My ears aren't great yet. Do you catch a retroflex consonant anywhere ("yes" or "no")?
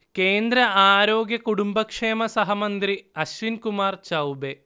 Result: yes